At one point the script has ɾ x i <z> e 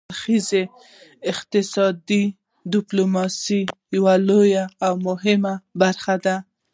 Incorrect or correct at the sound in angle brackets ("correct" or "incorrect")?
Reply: correct